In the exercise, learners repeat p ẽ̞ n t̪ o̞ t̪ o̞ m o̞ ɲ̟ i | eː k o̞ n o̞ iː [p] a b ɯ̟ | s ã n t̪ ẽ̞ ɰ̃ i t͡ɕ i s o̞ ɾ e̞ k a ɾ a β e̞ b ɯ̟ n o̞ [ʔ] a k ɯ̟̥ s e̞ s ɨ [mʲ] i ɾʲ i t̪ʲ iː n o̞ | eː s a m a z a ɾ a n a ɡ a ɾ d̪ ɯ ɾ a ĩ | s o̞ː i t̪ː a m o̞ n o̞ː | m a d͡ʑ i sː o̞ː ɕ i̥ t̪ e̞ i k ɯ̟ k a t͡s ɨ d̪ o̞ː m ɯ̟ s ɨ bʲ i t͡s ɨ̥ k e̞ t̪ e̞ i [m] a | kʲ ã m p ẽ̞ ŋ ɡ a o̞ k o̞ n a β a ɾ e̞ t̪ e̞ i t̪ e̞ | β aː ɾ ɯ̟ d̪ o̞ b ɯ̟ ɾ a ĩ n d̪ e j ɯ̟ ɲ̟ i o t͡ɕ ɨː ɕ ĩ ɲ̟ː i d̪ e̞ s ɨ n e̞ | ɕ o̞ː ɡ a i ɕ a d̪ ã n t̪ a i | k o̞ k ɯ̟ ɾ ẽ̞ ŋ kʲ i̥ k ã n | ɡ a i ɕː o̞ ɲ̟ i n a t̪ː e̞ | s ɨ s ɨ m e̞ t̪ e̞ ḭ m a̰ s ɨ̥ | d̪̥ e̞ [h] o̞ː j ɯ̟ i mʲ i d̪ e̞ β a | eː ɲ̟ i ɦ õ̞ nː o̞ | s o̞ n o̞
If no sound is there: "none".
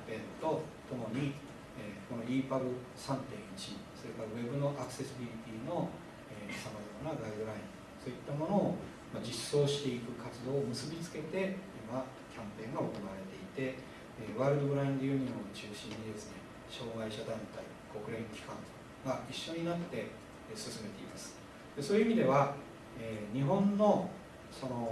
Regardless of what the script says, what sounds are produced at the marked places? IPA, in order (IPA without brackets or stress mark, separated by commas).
p, ʔ, bʲ, m, s